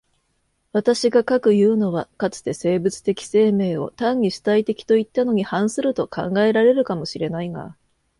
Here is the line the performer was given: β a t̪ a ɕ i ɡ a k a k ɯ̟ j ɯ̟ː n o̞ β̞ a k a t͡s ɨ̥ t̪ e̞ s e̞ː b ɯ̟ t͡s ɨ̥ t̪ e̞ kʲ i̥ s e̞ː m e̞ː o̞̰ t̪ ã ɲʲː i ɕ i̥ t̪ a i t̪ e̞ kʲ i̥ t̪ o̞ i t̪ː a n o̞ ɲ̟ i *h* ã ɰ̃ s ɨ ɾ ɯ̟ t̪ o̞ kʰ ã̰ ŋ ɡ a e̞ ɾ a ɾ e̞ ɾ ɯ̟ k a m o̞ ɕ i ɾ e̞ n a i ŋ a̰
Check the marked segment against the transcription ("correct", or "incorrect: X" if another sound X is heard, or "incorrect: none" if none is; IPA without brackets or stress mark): correct